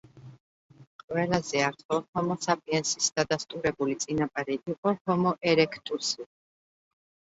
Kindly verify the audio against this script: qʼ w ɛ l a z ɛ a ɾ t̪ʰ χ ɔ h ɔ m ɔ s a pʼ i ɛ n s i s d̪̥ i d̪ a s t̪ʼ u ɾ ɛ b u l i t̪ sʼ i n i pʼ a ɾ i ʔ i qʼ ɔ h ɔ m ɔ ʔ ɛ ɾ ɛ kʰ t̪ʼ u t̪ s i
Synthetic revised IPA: qʼ w ɛ l a z ɛ a ɾ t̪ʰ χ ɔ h ɔ m ɔ s a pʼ i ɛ n s i s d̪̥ a d̪ a s t̪ʼ u ɾ ɛ b u l i t̪ sʼ i n a pʼ a ɾ i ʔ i qʼ ɔ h ɔ m ɔ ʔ ɛ ɾ ɛ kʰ t̪ʼ u s i